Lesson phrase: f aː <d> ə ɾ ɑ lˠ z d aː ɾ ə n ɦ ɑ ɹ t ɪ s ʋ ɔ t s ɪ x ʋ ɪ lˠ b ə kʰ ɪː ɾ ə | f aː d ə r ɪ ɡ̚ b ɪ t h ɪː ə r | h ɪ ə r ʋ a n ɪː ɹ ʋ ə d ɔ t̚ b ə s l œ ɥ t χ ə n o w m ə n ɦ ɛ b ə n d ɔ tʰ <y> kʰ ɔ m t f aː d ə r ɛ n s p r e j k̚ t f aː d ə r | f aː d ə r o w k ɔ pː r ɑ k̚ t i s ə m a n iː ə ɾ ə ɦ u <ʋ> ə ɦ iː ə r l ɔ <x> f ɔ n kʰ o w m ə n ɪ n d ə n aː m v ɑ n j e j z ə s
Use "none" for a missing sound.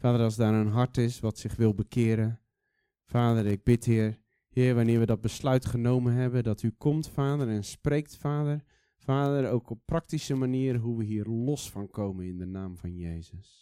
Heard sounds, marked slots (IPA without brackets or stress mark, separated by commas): d, y, ʋ, s